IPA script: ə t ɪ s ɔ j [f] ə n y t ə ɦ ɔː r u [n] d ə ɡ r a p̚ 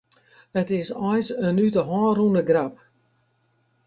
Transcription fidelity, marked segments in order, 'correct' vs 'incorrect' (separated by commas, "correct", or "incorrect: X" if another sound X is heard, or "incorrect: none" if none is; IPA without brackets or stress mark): incorrect: s, correct